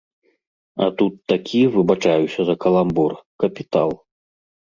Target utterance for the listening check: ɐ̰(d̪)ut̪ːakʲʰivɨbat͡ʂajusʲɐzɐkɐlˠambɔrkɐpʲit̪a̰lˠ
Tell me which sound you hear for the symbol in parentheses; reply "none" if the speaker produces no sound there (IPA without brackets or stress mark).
t̪